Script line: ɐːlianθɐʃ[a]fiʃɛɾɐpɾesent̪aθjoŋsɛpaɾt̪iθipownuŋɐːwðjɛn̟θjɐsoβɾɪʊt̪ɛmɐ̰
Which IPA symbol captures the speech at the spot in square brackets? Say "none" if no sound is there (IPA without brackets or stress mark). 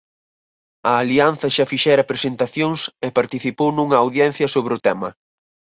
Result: a